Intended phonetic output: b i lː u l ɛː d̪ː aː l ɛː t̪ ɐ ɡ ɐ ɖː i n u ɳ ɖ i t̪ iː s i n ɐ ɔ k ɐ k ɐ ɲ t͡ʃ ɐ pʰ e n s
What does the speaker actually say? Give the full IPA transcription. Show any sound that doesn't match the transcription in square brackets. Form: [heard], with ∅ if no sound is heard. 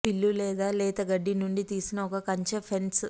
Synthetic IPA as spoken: [p] i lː u l ɛː [d̪] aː l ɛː t̪ ɐ ɡ ɐ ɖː i n u ɳ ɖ i t̪ iː s i n ɐ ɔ k ɐ k ɐ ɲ t͡ʃ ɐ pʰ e n s